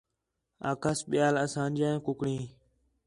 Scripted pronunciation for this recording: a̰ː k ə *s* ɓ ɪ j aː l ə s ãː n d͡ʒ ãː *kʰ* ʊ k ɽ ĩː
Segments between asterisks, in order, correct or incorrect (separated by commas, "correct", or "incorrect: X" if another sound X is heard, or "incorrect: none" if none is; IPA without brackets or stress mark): correct, incorrect: k